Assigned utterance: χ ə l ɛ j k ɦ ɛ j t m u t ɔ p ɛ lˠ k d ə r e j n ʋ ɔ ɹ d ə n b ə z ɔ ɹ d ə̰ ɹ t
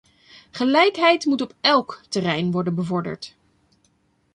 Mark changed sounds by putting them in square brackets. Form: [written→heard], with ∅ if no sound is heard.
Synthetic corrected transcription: χ ə l ɛ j k ɦ ɛ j t m u t ɔ p ɛ lˠ k [d→t] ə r [e→ɛ] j n ʋ ɔ ɹ d ə n b ə [z→v] ɔ ɹ d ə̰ ɹ t